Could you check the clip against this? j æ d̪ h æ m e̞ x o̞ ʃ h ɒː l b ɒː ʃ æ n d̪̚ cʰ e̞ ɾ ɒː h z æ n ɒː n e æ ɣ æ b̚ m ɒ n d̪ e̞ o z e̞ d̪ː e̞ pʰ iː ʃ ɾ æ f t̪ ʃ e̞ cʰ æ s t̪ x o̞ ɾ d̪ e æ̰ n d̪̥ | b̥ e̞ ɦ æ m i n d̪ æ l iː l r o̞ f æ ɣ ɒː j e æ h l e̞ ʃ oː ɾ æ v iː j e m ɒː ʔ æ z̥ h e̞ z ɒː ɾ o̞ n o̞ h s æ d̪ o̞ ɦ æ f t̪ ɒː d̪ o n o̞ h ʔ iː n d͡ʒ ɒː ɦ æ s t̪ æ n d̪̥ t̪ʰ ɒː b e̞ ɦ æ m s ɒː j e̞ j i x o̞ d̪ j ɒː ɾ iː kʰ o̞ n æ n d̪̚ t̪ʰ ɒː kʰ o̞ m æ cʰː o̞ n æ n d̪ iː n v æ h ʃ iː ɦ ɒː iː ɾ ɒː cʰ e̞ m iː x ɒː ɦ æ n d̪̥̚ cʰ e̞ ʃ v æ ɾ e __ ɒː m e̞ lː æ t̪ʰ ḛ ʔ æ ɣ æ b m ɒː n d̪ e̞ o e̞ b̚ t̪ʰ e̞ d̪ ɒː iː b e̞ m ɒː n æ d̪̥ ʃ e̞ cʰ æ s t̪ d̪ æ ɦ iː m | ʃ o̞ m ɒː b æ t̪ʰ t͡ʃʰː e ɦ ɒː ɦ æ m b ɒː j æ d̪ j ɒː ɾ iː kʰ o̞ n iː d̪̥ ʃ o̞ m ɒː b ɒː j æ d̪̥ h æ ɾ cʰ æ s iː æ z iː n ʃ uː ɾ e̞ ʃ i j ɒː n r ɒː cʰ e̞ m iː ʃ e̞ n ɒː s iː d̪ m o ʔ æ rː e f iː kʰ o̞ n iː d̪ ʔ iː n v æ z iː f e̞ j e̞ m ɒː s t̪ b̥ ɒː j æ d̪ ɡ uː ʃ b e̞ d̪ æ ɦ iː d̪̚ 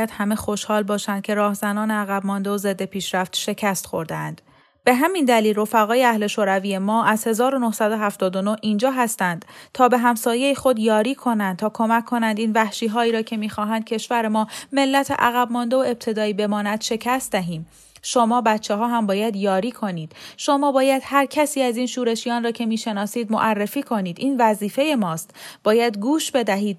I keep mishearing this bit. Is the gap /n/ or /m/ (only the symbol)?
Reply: m